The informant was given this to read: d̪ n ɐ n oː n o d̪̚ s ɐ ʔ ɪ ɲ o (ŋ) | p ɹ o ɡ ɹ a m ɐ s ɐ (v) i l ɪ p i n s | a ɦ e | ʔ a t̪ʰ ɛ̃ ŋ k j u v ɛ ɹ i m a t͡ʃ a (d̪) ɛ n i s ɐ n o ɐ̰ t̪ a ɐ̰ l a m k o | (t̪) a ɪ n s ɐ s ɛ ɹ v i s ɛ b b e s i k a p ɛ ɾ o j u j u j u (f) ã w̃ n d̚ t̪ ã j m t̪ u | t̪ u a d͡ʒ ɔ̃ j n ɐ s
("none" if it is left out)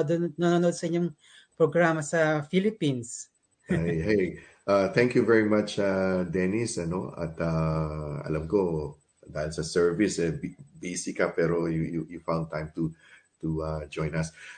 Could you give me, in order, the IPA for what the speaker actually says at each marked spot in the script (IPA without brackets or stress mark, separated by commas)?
ŋ, f, d̪, d̪, f